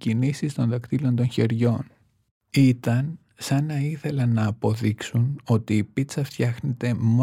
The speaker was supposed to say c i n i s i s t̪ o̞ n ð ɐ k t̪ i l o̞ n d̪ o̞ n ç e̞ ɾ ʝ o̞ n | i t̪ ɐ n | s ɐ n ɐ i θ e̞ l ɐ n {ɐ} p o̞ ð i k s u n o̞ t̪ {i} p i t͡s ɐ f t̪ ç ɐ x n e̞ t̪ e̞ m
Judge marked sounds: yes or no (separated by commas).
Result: no, no